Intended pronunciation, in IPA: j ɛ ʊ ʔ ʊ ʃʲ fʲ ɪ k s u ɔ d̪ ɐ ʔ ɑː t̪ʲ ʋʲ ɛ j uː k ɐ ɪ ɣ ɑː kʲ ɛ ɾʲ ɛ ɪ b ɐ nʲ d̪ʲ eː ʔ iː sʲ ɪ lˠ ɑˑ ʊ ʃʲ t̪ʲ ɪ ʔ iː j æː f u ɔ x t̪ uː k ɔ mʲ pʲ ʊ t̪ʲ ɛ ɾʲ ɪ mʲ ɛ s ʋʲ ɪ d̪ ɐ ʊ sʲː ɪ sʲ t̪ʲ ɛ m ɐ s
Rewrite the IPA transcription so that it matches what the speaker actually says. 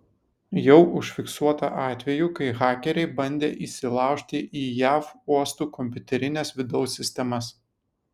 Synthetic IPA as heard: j ɛ ʊ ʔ ʊ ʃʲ fʲ ɪ k s u ɔ t̪ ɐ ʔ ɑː t̪ʲ ʋʲ ɛ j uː k ɐ ɪ ɣ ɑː kʲ ɛ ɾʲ ɛ ɪ b ɐ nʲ d̪ʲ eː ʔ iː sʲ ɪ lˠ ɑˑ ʊ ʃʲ t̪ʲ ɪ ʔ iː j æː f u ɔ s t̪ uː k ɔ mʲ pʲ ʊ t̪ʲ ɛ ɾʲ ɪ nʲ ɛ s ʋʲ ɪ d̪ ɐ ʊ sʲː ɪ sʲ t̪ʲ ɛ m ɐ s